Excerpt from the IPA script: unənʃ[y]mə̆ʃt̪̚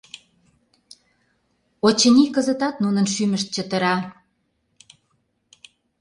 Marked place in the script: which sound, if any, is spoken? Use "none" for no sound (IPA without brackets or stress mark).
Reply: y